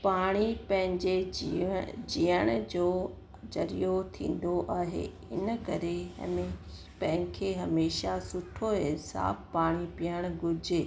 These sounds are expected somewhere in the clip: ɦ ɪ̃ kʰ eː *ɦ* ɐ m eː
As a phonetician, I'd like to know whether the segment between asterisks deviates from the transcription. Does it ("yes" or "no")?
no